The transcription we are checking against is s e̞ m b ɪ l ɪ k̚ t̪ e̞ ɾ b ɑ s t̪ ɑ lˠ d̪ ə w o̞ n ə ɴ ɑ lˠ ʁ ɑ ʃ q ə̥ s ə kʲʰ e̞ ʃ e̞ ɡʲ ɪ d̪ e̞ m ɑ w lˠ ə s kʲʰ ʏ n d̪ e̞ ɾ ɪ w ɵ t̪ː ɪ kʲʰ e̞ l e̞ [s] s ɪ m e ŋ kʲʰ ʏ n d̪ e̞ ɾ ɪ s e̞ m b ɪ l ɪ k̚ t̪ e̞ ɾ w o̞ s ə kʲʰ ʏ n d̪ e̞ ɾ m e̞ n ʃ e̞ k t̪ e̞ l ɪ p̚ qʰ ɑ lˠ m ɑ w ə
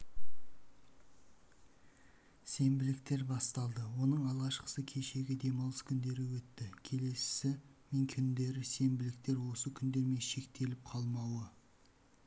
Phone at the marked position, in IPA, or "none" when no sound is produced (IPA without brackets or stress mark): s